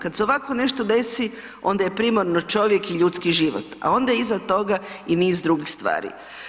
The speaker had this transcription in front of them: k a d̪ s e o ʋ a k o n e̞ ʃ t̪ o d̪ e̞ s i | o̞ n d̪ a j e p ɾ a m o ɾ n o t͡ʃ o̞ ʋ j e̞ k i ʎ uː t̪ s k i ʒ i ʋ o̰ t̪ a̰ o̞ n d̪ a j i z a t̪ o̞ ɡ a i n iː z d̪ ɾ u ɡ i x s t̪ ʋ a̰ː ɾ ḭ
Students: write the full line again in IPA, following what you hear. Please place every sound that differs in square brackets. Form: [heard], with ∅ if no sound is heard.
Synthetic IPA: k a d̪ s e o ʋ a k o n e̞ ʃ t̪ o d̪ e̞ s i | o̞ n d̪ a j e p ɾ [i] m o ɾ n o t͡ʃ o̞ ʋ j e̞ k i ʎ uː t̪ s k i ʒ i ʋ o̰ t̪ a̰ o̞ n d̪ a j i z a t̪ o̞ ɡ a i n iː z d̪ ɾ u ɡ i x s t̪ ʋ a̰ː ɾ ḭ